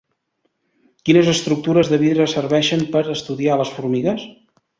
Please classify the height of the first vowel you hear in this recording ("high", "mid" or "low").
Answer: high